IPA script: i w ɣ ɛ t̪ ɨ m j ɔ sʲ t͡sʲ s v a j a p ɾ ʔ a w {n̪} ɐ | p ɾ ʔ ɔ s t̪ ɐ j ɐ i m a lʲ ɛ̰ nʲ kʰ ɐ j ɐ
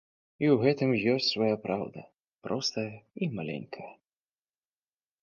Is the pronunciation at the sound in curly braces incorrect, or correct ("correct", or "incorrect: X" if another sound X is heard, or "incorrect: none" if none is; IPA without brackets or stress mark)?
incorrect: d̪